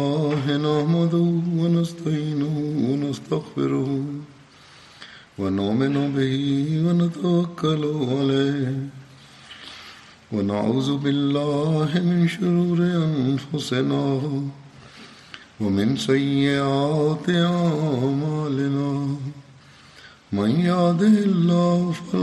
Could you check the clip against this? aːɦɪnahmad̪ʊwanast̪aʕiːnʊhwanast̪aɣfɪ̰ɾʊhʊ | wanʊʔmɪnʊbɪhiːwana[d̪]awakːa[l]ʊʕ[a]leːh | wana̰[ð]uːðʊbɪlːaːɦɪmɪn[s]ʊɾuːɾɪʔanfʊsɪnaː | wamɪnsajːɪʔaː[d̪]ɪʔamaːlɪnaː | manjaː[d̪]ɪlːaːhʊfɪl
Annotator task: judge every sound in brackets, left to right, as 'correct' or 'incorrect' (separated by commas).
incorrect, correct, correct, incorrect, incorrect, incorrect, correct